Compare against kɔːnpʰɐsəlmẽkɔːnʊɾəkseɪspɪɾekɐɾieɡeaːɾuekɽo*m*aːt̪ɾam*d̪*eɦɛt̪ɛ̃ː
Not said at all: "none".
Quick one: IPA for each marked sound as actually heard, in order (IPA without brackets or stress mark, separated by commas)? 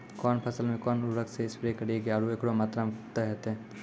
m, t̪